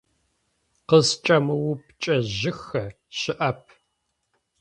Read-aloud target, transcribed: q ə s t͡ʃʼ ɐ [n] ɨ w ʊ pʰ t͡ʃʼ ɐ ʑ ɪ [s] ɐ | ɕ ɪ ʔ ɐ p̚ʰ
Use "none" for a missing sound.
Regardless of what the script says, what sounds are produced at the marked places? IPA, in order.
m, x

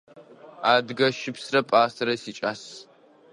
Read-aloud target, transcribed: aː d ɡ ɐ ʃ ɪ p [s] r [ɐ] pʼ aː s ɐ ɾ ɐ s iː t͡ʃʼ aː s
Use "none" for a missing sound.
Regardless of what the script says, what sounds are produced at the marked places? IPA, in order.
s, ɐ

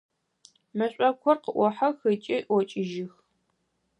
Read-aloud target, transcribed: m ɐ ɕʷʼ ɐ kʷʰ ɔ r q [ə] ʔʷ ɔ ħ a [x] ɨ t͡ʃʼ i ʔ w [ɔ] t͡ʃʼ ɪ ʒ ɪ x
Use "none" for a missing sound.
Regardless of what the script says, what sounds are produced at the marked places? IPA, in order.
ə, x, ɔ

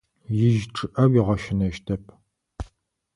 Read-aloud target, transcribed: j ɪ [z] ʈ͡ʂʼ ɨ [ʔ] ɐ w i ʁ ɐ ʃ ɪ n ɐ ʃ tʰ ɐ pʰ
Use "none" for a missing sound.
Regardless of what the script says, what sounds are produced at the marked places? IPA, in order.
ʒ, ʔ

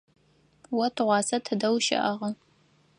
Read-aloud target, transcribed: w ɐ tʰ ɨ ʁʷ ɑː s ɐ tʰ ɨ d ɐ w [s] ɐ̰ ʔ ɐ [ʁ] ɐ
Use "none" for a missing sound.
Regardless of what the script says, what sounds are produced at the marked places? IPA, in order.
ʃ, ʁ

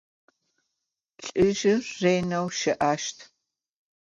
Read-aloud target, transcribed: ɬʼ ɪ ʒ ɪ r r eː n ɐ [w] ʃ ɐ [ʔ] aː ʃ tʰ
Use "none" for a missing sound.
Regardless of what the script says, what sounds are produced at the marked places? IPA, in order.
w, ʔ

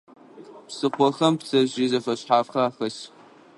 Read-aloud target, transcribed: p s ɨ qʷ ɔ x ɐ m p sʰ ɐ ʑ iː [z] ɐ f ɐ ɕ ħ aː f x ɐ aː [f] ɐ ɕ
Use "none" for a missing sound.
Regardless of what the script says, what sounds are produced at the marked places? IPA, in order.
z, x

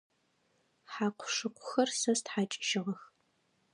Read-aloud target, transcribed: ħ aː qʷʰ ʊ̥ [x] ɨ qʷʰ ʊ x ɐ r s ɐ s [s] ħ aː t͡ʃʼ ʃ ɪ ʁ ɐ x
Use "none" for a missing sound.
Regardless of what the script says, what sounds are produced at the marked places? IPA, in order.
ʂ, t

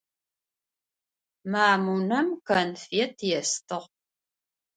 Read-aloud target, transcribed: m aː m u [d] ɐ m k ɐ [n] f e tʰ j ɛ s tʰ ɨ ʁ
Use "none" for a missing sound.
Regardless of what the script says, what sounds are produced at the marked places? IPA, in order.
n, n

